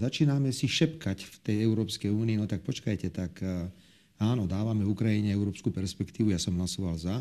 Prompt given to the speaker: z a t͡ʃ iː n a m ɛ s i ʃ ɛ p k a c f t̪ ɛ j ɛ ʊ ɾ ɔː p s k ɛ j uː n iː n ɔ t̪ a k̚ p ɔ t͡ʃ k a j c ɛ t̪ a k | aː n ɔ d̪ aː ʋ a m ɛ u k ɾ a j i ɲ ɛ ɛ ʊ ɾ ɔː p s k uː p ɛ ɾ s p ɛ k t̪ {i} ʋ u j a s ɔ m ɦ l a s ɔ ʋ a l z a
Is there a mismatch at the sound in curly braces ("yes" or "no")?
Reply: yes